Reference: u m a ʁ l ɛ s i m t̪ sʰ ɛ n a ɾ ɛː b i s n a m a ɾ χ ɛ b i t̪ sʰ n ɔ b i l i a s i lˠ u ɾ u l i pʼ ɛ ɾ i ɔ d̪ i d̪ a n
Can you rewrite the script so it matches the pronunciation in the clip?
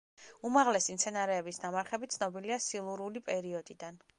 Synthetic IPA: u m a ʁ l ɛ s i m t̪ sʰ ɛ n a ɾ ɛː b i s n a m a ɾ χ ɛ b i t̪ sʰ n ɔ b i l i a s i lˠ u ɾ u l i pʼ ɛ ɾ i ɔ d̪ i d̪ a n